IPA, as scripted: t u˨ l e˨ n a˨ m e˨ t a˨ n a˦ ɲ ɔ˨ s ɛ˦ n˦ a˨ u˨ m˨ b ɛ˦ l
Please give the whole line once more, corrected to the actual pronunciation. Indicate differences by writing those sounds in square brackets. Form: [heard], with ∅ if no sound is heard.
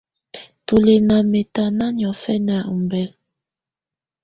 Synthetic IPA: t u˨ l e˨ n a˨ m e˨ t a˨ n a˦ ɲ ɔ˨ [f] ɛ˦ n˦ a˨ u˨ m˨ b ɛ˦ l